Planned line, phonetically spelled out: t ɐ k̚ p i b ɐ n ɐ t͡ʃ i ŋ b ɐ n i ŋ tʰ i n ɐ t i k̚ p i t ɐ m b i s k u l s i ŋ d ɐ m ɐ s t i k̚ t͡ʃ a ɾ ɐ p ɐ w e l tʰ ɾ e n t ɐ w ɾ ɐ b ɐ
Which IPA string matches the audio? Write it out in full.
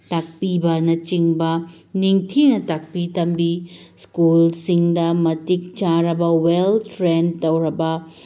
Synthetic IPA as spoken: t a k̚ p i b ɐ n ɐ t͡ʃ i ŋ b ɐ n i ŋ tʰ i n ɐ t a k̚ p i t ɐ m b i s k u l s i ŋ d ɐ m ɐ t i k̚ t͡ʃ a ɾ ɐ b ɐ w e l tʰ ɾ e n t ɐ w ɾ ɐ b ɐ